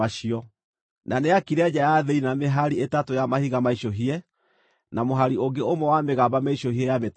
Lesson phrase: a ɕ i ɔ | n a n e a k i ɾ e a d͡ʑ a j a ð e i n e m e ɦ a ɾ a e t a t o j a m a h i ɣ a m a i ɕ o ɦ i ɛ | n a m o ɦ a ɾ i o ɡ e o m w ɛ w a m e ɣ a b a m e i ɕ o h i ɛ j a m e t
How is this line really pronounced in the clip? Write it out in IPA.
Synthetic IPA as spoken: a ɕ i ɔ | n a n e a k i ɾ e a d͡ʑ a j a ð e i n a m e ɦ a ɾ i e t a t o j a m a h i ɣ a m a i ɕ o ɦ i ɛ | n a m o ɦ a ɾ i o ɡ e o m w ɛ w a m e ɣ a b a m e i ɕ o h i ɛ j a m e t